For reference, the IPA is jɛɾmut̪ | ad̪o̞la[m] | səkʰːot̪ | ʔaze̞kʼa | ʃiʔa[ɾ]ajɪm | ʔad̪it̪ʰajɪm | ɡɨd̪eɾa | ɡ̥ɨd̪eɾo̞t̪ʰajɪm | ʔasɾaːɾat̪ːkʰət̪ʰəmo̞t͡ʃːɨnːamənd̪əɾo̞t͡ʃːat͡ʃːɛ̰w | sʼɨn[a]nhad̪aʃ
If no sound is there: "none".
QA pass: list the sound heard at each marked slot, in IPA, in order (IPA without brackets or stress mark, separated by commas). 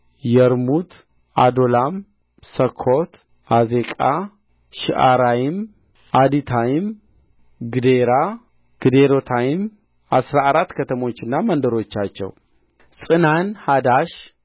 m, ɾ, a